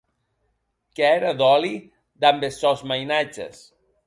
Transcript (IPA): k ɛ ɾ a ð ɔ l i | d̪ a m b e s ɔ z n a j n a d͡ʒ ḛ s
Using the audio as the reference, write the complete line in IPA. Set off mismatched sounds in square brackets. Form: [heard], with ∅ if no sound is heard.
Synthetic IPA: k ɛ ɾ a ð ɔ l i | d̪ a m b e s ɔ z [m] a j n a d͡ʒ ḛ s